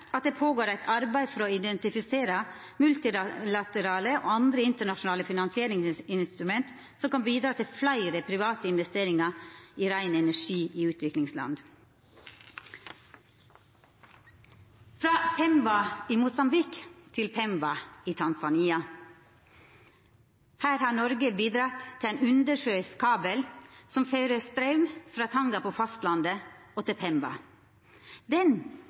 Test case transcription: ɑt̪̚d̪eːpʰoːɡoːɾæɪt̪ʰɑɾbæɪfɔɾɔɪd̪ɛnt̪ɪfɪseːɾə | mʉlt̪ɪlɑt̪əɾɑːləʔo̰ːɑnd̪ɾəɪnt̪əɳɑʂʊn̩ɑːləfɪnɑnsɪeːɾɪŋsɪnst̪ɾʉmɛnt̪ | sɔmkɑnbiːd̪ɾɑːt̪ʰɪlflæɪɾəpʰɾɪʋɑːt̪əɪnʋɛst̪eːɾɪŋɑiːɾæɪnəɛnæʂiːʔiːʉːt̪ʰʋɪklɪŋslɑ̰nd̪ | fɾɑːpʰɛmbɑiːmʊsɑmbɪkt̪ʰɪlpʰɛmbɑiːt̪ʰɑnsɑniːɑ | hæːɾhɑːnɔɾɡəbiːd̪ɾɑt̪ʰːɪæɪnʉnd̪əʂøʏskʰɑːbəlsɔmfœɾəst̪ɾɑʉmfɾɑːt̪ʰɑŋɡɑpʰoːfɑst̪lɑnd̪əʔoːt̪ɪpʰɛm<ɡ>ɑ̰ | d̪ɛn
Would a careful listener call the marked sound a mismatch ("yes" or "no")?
yes